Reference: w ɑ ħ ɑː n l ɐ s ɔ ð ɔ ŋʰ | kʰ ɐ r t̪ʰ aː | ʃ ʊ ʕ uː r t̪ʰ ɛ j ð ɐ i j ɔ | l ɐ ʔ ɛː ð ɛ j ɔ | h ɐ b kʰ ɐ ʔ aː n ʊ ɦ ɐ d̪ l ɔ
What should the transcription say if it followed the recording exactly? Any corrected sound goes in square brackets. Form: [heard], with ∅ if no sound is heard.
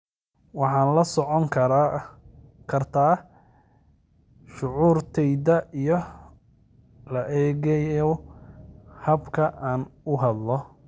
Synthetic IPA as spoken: w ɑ ħ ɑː n l ɐ s ɔ [ʕ] ɔ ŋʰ | kʰ ɐ r t̪ʰ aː | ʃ ʊ ʕ uː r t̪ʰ ɛ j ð ɐ i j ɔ | l ɐ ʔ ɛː [ɣ] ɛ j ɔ | h ɐ b kʰ ɐ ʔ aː n ʊ ɦ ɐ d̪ l ɔ